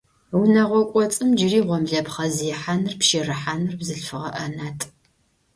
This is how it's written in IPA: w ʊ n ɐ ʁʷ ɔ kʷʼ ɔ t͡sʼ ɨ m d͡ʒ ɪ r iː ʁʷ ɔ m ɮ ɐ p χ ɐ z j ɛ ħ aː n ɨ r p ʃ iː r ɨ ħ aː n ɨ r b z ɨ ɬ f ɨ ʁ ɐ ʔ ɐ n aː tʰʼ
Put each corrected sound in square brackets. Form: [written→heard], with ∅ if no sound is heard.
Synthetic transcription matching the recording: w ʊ n ɐ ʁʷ ɔ kʷʼ ɔ t͡sʼ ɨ m d͡ʒ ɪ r iː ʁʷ ɔ m ɮ ɐ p χ ɐ z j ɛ ħ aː n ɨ r p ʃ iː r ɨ ħ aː n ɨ r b z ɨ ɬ f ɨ ʁ ɐ ʔ ɐ n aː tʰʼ